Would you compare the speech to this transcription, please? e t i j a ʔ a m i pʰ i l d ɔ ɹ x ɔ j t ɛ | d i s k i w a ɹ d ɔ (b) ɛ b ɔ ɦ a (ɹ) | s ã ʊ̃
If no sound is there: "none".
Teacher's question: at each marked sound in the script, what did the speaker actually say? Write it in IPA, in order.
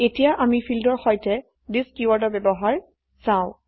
b, ɹ

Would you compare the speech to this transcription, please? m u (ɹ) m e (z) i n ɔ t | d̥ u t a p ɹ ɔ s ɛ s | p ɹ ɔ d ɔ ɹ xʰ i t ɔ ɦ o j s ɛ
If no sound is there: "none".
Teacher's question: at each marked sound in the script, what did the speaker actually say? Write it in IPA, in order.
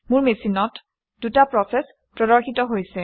ɹ, s

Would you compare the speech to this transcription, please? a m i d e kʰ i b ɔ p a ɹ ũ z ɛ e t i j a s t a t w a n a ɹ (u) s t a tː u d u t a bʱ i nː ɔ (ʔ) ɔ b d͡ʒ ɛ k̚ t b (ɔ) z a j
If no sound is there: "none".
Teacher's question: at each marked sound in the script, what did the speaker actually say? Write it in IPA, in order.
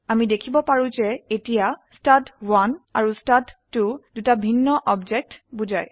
u, ʔ, u

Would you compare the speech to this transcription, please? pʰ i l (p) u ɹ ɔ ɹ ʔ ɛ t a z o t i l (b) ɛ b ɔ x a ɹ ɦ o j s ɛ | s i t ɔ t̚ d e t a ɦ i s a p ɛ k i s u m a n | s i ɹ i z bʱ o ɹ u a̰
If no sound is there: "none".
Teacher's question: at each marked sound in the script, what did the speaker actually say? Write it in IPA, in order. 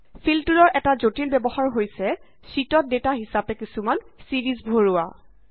t, b

